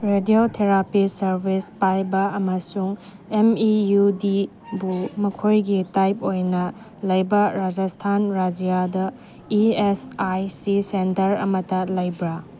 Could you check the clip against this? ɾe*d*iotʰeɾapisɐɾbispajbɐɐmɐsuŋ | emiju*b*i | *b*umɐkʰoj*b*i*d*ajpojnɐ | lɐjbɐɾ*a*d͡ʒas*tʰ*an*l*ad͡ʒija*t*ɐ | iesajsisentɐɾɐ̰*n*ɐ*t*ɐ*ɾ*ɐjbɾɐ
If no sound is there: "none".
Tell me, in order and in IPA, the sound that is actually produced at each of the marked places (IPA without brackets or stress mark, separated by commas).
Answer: d, d, b, ɡ, t, a, tʰ, ɾ, d, m, t, l